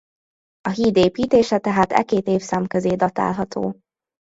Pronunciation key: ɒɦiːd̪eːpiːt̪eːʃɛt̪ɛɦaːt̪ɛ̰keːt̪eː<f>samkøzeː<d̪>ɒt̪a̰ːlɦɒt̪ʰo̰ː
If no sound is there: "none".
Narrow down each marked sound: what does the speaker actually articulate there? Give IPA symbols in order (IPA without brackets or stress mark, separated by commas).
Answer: f, d̪